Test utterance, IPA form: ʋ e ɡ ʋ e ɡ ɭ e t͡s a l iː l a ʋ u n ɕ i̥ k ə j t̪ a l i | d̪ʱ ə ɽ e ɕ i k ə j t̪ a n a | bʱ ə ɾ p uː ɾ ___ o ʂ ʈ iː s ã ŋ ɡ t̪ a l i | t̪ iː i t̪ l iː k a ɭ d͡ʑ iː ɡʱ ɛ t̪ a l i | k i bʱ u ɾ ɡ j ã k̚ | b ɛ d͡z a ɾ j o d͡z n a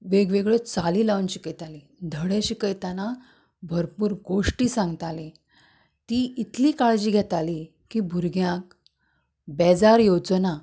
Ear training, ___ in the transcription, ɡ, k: ɡ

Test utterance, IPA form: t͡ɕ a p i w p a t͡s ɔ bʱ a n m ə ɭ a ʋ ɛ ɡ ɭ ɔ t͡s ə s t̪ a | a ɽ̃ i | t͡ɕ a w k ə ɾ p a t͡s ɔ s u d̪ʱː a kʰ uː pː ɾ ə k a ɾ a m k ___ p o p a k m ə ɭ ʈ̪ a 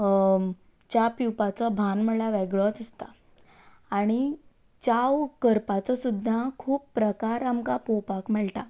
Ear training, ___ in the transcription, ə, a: a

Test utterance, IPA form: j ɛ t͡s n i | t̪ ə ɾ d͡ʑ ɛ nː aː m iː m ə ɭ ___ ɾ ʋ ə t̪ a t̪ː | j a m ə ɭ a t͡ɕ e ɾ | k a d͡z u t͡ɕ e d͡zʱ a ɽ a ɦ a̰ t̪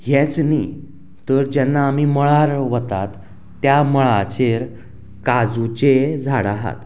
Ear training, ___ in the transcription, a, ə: a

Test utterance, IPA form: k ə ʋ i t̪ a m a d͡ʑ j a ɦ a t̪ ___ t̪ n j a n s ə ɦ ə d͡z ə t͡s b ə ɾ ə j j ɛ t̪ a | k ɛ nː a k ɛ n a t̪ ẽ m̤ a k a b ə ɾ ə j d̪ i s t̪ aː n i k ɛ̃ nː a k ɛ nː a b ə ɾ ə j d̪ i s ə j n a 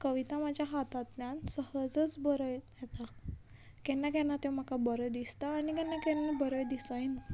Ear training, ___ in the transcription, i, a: a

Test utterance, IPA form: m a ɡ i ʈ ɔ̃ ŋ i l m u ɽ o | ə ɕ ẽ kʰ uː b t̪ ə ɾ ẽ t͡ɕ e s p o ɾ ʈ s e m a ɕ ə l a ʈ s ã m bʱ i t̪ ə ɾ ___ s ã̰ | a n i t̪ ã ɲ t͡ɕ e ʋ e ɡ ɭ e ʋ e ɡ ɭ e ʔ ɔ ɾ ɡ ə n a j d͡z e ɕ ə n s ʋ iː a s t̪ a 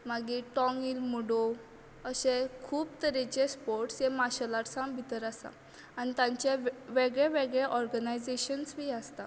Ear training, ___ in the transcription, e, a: a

